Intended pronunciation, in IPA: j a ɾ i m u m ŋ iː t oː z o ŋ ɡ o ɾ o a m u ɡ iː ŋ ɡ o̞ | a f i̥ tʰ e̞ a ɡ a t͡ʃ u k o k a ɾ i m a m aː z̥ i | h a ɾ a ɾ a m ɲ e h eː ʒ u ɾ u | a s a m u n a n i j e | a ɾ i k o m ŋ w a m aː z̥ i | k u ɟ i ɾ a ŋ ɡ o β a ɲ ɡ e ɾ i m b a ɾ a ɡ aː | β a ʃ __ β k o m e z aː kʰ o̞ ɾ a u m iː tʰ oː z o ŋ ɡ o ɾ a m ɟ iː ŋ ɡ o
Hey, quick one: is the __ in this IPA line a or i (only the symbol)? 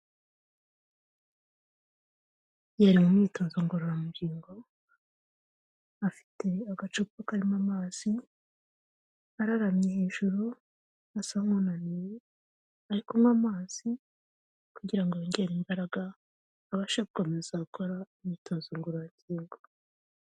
a